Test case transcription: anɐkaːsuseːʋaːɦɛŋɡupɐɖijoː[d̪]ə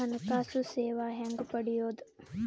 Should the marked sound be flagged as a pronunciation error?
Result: no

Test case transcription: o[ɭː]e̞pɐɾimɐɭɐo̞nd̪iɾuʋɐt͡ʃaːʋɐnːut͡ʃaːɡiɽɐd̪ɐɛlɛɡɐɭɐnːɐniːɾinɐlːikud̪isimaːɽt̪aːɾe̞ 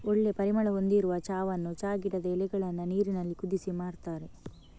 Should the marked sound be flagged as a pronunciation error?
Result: no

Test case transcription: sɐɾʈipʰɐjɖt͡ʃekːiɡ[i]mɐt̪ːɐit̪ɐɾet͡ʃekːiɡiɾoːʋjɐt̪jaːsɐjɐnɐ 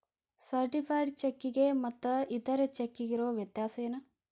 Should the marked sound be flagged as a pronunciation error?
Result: yes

